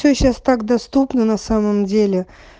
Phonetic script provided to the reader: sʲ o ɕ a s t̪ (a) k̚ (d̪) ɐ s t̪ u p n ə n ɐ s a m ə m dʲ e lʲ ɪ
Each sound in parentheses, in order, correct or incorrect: correct, correct

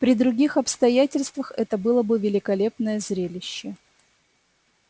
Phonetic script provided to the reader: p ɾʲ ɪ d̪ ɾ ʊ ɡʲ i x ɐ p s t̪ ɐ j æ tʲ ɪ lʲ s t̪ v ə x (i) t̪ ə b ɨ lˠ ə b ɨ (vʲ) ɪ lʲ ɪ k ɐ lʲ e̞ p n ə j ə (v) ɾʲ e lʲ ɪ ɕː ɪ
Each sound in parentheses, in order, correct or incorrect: incorrect: ɛ, correct, incorrect: z

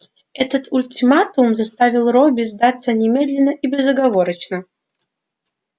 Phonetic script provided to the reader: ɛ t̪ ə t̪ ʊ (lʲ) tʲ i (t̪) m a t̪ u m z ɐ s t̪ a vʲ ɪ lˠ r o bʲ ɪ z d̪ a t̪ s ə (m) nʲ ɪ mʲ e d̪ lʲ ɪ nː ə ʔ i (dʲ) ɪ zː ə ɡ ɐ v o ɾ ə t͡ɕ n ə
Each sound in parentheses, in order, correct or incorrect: correct, incorrect: none, incorrect: none, incorrect: bʲ

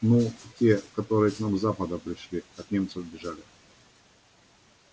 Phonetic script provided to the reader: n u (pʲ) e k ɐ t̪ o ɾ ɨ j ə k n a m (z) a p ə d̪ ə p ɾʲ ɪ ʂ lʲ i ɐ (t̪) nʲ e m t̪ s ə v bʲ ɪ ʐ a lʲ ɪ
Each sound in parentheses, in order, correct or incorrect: incorrect: tʲ, correct, correct

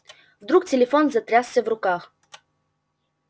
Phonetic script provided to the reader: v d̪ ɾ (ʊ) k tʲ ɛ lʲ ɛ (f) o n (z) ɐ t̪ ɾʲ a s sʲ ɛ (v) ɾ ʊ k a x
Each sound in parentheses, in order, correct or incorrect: incorrect: u, correct, correct, correct

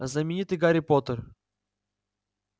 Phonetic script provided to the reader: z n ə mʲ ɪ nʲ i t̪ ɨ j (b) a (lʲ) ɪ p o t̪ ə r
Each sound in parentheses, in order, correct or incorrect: incorrect: ɡ, incorrect: ɾʲ

